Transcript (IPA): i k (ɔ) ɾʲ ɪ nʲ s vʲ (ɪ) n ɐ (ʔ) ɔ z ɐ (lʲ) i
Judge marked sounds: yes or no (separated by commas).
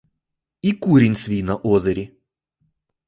no, no, yes, no